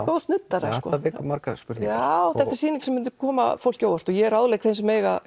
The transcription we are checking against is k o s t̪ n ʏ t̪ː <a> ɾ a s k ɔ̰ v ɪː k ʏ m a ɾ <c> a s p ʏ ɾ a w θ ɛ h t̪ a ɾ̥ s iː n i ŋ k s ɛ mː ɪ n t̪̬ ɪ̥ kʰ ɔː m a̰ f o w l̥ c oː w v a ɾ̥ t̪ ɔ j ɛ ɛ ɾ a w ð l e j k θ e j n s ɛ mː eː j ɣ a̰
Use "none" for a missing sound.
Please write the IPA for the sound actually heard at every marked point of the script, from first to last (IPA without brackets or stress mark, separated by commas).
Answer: a, k